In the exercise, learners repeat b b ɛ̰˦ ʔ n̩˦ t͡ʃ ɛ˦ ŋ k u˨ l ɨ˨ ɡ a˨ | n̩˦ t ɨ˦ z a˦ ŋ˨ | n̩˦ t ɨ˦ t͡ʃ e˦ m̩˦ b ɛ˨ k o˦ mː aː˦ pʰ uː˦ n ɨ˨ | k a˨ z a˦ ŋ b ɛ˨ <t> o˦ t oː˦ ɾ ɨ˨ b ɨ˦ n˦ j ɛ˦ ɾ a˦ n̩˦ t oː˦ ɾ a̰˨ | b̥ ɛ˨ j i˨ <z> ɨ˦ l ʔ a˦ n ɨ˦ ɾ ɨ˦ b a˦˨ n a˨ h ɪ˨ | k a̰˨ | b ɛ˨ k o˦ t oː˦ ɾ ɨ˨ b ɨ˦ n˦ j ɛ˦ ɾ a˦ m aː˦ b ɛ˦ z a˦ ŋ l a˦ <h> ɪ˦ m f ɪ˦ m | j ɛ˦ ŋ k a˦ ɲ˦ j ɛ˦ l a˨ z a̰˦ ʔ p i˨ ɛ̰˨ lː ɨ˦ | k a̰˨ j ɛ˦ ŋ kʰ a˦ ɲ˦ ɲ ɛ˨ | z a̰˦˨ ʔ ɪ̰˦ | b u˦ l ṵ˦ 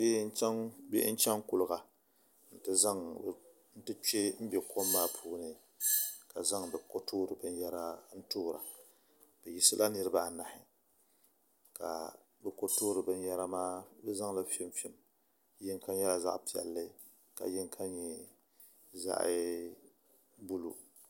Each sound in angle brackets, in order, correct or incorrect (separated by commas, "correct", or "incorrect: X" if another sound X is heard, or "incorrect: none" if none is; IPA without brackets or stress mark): incorrect: k, incorrect: s, incorrect: f